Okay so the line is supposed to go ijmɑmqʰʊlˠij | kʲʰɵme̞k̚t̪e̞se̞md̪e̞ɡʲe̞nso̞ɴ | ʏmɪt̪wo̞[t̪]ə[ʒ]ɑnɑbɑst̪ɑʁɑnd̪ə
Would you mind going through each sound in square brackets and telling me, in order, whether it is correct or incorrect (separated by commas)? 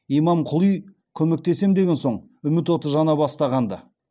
correct, correct